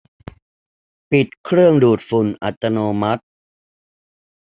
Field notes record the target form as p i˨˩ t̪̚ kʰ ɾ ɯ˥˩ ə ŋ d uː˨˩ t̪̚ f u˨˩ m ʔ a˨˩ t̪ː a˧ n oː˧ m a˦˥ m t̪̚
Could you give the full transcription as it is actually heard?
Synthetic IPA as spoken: p i˨˩ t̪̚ kʰ ɾ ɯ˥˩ ə ŋ d uː˨˩ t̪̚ f u˨˩ n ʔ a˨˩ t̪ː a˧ n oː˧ m a˦˥ t̪̚